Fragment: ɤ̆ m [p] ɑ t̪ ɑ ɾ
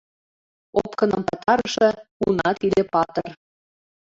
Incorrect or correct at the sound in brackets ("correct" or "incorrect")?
correct